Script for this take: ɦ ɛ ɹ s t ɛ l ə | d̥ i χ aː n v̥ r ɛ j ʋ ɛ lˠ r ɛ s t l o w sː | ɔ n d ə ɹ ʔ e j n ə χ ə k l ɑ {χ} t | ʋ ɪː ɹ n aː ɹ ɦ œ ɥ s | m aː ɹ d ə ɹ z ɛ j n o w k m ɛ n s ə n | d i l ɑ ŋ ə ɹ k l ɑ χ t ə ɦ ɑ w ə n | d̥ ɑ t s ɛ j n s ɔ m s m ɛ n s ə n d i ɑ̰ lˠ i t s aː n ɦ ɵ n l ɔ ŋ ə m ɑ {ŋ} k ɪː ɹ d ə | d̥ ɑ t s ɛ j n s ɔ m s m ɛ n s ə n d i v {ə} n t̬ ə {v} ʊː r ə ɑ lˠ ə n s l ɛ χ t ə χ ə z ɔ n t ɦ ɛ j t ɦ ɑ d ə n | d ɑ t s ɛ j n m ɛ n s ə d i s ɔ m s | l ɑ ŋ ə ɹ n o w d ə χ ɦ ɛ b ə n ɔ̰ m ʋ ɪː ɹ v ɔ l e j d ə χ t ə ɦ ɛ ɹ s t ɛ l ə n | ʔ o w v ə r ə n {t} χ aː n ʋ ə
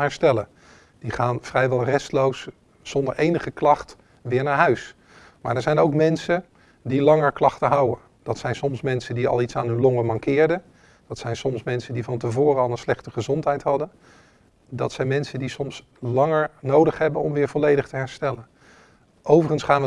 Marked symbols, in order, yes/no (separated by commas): yes, yes, no, yes, no